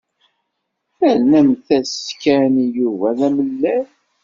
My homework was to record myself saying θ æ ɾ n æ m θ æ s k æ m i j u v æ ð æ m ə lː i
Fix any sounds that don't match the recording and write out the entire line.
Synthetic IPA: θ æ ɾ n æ m θ æ s k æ n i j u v æ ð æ m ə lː æ